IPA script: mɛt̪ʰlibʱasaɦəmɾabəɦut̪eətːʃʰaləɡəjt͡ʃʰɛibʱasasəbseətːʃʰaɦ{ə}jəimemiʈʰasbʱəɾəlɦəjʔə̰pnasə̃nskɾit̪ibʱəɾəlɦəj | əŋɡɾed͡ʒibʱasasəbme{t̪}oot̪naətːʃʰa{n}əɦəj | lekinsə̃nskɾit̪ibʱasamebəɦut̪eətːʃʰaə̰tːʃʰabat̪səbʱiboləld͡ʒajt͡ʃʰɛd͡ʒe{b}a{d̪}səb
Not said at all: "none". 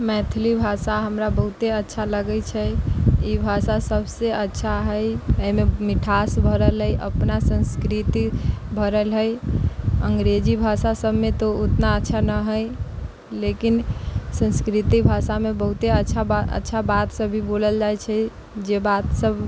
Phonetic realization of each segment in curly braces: ə, t̪, n, b, t̪

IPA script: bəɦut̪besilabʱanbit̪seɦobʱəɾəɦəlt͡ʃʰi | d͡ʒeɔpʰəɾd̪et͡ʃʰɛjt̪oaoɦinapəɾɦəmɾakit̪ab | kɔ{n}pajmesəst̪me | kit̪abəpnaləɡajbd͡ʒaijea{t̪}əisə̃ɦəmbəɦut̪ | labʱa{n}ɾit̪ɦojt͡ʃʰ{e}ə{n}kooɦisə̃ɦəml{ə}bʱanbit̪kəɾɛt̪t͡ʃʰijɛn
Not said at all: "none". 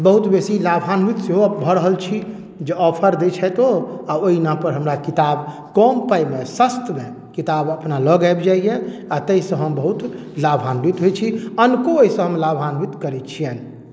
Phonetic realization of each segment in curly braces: m, t̪, n, i, n, a

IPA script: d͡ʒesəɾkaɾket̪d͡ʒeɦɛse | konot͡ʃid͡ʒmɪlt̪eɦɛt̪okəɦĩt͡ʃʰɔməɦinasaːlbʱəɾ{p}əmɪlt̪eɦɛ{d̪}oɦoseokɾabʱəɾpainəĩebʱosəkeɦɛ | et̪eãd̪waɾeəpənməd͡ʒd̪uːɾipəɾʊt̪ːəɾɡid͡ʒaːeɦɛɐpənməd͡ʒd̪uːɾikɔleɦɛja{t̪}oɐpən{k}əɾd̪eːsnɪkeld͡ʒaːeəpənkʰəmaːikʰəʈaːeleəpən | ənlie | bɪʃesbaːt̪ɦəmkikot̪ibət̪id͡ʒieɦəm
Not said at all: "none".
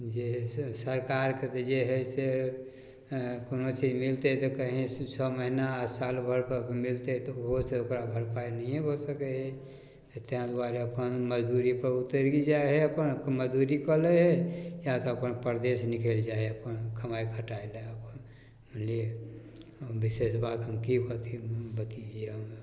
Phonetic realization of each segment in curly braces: p, t̪, t̪, p

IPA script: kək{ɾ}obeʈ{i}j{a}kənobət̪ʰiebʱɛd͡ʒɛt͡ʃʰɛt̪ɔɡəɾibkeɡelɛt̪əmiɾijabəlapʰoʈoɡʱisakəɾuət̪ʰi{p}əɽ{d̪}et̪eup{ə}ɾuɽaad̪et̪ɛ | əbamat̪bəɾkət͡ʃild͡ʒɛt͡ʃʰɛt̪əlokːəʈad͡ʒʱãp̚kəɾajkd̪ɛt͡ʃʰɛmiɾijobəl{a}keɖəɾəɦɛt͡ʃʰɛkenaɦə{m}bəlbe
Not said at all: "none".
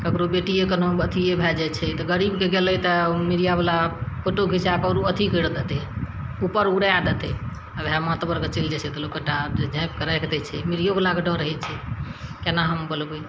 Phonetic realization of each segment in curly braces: ɾ, i, e, k, d̪, ə, a, m

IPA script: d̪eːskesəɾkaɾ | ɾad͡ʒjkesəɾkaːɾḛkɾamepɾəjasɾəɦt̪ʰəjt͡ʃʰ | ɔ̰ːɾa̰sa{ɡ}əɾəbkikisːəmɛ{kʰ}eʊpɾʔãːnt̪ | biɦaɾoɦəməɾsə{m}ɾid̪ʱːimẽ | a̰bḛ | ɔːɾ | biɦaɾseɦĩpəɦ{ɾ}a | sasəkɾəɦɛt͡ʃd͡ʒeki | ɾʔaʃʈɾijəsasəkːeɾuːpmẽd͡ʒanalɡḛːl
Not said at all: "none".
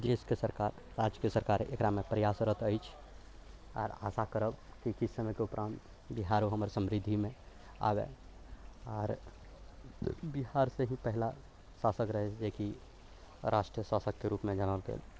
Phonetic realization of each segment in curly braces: k, k, m, l

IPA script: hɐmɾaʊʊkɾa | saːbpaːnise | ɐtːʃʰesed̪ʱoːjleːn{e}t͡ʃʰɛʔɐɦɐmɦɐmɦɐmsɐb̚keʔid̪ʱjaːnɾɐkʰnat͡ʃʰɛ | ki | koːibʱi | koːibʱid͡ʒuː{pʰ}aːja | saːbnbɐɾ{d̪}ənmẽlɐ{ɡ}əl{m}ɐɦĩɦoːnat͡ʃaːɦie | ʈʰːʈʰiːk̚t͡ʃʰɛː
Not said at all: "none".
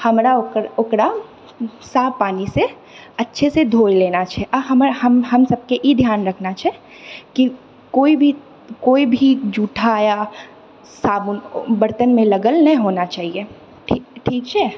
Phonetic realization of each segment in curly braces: a, ʈʰ, t̪, ɡ, n

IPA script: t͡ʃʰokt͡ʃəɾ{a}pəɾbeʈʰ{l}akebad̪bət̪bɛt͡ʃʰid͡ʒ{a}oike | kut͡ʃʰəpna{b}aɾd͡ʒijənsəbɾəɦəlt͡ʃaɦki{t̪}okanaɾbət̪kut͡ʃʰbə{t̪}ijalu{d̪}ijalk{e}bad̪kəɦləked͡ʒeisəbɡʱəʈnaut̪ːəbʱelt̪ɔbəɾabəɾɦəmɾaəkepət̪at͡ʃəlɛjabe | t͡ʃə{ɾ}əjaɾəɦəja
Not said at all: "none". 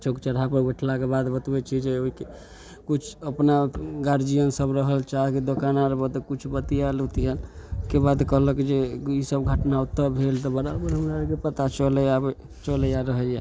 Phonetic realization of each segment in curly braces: a, l, e, ɡ, d̪, t̪, t̪, e, l

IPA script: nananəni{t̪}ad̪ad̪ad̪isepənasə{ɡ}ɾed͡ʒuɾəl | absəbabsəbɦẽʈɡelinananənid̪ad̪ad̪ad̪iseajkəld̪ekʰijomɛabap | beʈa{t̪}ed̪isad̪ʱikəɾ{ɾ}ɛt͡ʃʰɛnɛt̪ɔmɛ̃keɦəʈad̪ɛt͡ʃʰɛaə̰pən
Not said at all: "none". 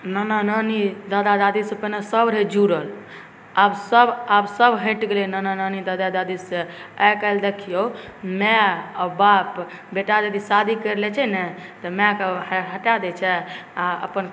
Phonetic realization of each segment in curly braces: d̪, b, d̪, l

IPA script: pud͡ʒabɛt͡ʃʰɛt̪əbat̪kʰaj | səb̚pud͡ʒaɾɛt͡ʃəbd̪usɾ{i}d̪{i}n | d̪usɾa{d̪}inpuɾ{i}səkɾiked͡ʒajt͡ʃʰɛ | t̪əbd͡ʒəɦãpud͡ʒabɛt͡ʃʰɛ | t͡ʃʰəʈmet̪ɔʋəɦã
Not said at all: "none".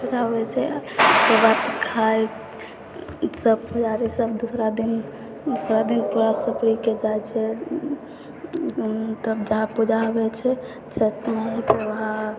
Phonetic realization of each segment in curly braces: a, i, d̪, a

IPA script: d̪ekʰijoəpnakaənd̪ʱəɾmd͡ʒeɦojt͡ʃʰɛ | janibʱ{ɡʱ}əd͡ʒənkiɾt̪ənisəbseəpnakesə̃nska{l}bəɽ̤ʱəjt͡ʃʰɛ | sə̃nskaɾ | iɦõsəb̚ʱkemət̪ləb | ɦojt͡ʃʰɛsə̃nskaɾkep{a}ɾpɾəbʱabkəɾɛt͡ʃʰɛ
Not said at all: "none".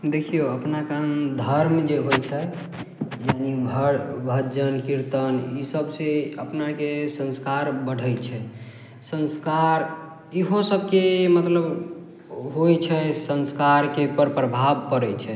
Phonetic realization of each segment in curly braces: bʱ, ɾ, ə

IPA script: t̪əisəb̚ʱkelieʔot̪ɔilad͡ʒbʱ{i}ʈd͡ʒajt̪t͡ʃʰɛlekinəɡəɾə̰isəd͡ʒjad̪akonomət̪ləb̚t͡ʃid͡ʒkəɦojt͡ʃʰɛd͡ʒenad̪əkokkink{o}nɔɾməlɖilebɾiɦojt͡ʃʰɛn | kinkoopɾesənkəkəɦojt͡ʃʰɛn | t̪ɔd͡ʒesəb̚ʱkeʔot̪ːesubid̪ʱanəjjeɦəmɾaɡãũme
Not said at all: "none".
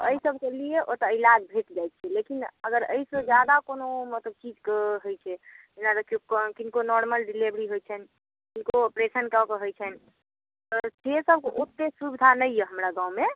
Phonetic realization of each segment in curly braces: e, o

